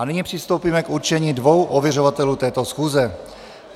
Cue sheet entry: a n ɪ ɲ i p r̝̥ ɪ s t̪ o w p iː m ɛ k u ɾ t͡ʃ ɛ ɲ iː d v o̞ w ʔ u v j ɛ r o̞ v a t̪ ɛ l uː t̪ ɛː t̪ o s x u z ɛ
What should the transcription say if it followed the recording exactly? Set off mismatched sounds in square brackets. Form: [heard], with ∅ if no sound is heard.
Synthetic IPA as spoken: a n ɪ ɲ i p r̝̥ ɪ s t̪ o w p iː m ɛ k u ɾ t͡ʃ ɛ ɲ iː d v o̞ w ʔ [o] v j ɛ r o̞ v a t̪ ɛ l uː t̪ ɛː t̪ o s x [uː] z ɛ